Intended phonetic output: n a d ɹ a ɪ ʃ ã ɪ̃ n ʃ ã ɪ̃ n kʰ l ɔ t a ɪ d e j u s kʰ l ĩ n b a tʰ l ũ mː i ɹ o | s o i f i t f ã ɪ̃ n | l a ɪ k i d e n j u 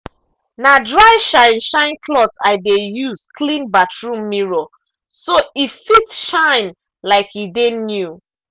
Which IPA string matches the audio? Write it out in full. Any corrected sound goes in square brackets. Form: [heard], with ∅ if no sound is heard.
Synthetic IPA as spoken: n a d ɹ a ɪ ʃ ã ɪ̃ n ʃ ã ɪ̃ n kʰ l ɔ t a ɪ d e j u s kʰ l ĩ n b a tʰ [ɹ] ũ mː i ɹ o | s o i f i t [ʃ] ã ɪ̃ n | l a ɪ k i d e n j u